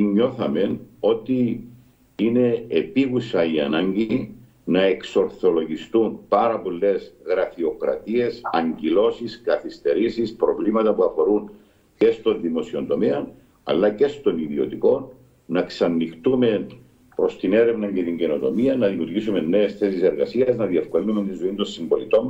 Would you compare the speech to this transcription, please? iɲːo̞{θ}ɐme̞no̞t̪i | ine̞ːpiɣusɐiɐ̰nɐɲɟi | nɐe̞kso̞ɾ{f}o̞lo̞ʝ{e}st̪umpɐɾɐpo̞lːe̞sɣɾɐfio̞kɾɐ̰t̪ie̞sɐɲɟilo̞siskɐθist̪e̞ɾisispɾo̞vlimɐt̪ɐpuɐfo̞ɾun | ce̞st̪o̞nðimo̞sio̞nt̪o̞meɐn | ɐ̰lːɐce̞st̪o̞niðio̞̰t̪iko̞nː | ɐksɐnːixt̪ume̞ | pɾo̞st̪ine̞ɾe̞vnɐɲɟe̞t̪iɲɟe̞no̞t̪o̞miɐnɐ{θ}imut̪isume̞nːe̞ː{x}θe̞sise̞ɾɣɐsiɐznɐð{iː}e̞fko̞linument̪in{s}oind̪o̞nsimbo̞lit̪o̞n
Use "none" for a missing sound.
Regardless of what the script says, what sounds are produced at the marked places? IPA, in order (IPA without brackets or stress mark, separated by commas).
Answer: θ, θ, i, ð, s, i, z